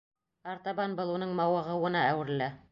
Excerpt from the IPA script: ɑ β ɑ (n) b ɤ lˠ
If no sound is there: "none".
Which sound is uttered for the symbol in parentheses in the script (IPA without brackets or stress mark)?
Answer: n